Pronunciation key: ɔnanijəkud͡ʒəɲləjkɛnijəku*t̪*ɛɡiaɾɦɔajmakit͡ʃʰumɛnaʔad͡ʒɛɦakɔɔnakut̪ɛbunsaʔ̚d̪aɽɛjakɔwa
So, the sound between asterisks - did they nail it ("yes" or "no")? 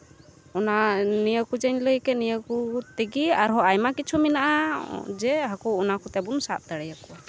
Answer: yes